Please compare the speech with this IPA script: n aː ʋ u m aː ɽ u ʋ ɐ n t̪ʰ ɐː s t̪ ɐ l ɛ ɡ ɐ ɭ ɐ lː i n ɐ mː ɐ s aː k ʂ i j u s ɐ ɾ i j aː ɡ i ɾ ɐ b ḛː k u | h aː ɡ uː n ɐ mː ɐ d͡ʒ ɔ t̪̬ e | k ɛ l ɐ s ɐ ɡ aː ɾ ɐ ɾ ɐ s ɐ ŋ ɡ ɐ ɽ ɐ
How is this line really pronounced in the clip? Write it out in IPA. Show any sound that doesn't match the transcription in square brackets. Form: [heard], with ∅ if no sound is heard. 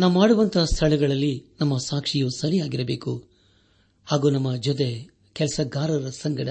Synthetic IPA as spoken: n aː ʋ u m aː ɽ u ʋ ɐ n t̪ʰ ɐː s [t̪ʰ] ɐ [ɭ] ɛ ɡ ɐ ɭ ɐ lː i n ɐ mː ɐ s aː k ʂ i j u s ɐ ɾ i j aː ɡ i ɾ ɐ b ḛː k u | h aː ɡ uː n ɐ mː ɐ d͡ʒ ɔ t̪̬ e | k ɛ l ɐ s ɐ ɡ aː ɾ ɐ ɾ ɐ s ɐ ŋ ɡ ɐ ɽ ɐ